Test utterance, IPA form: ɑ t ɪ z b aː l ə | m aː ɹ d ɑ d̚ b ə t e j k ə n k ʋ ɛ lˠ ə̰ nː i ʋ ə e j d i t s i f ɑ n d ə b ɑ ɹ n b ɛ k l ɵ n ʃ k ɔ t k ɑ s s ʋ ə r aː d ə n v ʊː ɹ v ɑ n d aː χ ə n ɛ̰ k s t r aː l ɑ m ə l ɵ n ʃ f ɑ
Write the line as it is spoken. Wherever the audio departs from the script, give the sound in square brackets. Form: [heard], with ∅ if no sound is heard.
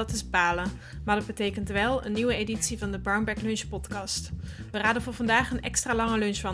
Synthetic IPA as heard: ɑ t ɪ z b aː l ə | m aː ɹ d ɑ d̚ b ə t e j k ə n [t] ʋ ɛ lˠ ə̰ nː i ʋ ə e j d i t s i [v] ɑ n d ə b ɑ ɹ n b ɛ k l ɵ n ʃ [p] ɔ t k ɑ s [t] ʋ ə r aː d ə n v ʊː ɹ v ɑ n d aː χ ə n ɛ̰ k s t r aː l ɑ [ŋ] ə l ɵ n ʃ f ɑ